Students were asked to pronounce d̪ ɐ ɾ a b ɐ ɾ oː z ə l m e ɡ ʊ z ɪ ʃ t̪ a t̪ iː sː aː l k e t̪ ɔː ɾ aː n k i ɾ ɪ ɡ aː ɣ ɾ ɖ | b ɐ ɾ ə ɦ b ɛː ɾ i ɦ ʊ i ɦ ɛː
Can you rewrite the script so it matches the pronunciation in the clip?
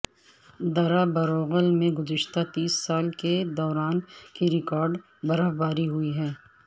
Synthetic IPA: d̪ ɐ ɾ a b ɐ ɾ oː ɣ ə l m ẽ ɡ ʊ z ɪ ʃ t̪ a t̪ iː sː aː l k e d̪ ɔː ɾ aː n k i ɾ ɪ k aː ɾ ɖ | b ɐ ɾ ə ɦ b aː ɾ i ɦ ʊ i ɦ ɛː